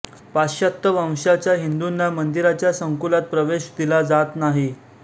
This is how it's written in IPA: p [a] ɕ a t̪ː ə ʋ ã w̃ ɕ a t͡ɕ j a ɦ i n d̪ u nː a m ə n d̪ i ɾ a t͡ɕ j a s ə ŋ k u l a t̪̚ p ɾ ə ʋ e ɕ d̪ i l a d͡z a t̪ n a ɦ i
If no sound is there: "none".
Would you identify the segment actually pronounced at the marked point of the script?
a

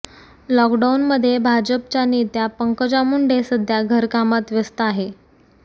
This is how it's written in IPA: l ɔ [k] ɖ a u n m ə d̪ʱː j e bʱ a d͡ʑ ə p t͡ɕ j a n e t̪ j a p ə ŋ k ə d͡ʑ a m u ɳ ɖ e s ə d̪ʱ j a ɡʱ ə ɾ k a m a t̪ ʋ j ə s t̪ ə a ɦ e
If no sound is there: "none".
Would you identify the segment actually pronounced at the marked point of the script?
k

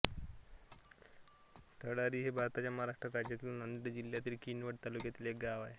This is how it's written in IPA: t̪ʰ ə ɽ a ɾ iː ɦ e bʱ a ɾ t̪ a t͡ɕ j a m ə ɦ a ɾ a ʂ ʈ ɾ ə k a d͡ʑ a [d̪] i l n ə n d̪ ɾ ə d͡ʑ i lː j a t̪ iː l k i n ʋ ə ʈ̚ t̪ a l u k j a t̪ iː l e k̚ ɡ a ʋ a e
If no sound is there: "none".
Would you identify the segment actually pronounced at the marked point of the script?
t̪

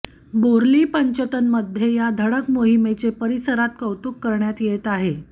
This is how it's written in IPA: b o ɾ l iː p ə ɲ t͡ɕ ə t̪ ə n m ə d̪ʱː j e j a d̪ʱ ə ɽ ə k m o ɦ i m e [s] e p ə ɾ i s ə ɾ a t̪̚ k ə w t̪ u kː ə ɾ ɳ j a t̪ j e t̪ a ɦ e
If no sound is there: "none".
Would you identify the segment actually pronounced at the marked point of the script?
t͡s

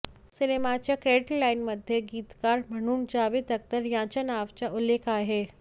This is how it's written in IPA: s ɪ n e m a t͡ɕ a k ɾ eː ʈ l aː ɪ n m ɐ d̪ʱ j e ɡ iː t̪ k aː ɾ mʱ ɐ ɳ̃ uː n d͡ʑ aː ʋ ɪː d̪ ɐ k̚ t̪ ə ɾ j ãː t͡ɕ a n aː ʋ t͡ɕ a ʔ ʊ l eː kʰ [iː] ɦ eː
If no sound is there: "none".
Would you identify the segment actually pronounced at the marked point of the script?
aː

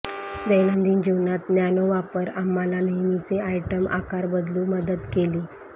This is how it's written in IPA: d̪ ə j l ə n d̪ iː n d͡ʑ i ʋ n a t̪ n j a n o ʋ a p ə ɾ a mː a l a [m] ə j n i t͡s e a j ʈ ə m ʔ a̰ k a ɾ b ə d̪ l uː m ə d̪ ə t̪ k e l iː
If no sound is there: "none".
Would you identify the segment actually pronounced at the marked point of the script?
n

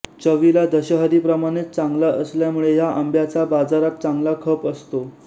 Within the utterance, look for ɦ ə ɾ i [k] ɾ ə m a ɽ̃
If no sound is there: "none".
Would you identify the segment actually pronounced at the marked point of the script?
p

